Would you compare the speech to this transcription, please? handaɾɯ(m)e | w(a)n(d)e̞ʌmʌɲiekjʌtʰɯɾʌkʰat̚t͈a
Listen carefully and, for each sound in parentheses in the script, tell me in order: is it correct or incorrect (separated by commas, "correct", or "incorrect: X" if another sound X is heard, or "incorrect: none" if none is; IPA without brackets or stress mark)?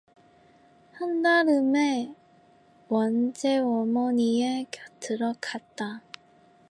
correct, incorrect: ʌ, incorrect: d͡ʑ